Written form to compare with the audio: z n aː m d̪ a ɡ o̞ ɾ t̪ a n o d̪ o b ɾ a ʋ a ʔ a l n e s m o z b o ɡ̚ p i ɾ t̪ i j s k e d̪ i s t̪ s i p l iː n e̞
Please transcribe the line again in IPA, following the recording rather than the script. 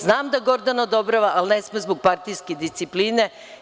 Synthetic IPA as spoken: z n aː m d̪ a ɡ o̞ ɾ d̪ a n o d̪ o b ɾ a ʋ a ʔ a l n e s m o z b o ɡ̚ p a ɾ t̪ i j s k e d̪ i s t̪ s i p l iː n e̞

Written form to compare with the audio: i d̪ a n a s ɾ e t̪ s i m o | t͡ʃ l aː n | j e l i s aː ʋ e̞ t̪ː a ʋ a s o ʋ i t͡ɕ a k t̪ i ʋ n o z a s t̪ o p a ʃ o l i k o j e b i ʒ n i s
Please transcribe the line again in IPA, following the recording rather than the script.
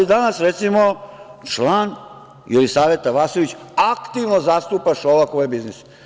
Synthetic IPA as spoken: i d̪ a n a s ɾ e t̪ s i m o | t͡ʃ l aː n | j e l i s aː ʋ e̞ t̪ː a ʋ a s o ʋ i t͡ɕ a k t̪ i ʋ n o z a s t̪ u p a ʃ o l a k o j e b i z n i s

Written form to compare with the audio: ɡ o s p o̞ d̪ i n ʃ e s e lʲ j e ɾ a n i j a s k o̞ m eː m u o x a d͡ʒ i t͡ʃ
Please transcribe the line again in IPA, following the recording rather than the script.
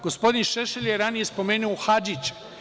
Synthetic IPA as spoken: ɡ o s p o̞ d̪ i n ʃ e ʃ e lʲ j e ɾ a n i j e s p o̞ m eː n u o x a d͡ʒ i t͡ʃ

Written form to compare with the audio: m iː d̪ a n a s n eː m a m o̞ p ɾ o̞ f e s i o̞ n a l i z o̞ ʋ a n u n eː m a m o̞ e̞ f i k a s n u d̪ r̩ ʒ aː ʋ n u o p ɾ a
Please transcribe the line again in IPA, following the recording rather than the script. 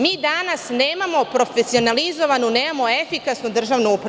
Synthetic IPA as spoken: m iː d̪ a n a s n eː m a m o̞ p ɾ o̞ f e s i o̞ n a l i z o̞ ʋ a n u n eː m a m o̞ e̞ f i k a s n u d̪ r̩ ʒ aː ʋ n u u p ɾ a

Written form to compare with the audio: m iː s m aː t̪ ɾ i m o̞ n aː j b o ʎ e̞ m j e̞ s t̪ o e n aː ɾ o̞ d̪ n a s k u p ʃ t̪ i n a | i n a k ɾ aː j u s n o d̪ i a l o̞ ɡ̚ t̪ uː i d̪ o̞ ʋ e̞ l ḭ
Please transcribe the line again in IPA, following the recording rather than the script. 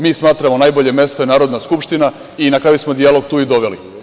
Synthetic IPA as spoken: m iː s m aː t̪ ɾ a m o̞ n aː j b o ʎ e̞ m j e̞ s t̪ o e n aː ɾ o̞ d̪ n a s k u p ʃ t̪ i n a | i n a k ɾ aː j u s m o d̪ i a l o̞ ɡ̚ t̪ uː i d̪ o̞ ʋ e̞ l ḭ

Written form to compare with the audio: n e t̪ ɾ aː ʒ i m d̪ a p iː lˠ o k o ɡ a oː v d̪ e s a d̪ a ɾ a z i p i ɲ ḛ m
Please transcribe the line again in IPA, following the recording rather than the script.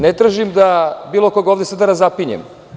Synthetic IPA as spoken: n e t̪ ɾ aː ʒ i m d̪ a b iː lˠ o k o ɡ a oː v d̪ e s a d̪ a ɾ a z a p i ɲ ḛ m

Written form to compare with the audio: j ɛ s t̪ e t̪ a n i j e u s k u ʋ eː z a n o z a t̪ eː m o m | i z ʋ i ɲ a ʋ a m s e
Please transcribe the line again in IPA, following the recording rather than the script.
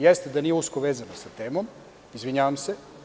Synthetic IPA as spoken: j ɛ s t̪ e d̪ a n i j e u s k o ʋ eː z a n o s a t̪ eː m o m | i z ʋ i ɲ a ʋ a m s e

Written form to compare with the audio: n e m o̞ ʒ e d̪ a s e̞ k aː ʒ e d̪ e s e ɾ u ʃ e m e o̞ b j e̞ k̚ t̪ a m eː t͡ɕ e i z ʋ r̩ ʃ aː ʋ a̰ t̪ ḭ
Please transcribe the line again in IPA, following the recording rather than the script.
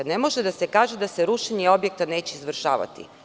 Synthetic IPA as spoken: n e m o̞ ʒ e d̪ a s e̞ k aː ʒ e d̪ a s e ɾ u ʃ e ɲ e o̞ b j e̞ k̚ t̪ a n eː t͡ɕ e i z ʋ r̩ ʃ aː ʋ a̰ t̪ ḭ

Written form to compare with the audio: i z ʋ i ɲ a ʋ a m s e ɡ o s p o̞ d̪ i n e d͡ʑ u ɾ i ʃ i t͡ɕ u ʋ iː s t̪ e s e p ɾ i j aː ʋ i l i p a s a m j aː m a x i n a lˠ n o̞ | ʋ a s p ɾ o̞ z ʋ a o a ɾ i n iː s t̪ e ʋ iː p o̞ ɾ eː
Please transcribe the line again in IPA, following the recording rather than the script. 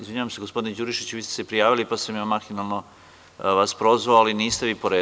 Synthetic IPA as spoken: i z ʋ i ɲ a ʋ a m s e ɡ o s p o̞ d̪ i n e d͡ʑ u ɾ i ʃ i t͡ɕ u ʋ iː s t̪ e s e p ɾ i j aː ʋ i l i p a s a m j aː m a x i n a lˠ n o̞ | ʋ a s p ɾ o̞ z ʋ a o a l i n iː s t̪ e ʋ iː p o̞ ɾ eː

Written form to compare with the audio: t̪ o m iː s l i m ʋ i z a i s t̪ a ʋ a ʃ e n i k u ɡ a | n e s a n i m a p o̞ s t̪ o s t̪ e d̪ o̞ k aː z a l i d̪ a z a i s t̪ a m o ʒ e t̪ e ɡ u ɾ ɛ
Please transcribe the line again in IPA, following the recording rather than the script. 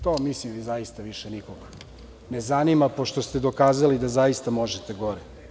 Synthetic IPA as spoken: t̪ o m i s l i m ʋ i z a i s t̪ a ʋ i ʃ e n i k o ɡ a | n e z a n i m a p o̞ ʃ t̪ o s t̪ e d̪ o̞ k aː z a l i d̪ a z a i s t̪ a m o ʒ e t̪ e ɡ o ɾ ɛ

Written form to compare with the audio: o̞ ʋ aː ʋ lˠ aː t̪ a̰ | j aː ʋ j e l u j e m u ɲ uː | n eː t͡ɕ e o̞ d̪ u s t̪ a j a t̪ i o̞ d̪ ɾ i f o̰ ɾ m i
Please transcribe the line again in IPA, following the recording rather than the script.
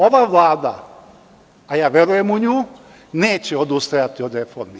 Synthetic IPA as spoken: o̞ ʋ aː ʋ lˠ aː d̪ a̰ | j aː ʋ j e ɾ u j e m u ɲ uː | n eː t͡ɕ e o̞ d̪ u s t̪ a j a t̪ i o̞ d̪ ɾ e f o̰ ɾ m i

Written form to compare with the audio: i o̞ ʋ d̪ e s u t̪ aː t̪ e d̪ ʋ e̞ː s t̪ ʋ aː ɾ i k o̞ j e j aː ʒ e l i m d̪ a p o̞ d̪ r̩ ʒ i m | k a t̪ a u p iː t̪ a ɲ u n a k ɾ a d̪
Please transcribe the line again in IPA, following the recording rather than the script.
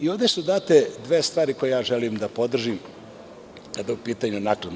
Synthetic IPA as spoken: i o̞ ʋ d̪ e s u d̪ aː t̪ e d̪ ʋ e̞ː s t̪ ʋ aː ɾ i k o̞ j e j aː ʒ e l i m d̪ a p o̞ d̪ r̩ ʒ i m | k a d̪ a u p iː t̪ a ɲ u n a k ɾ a d̪

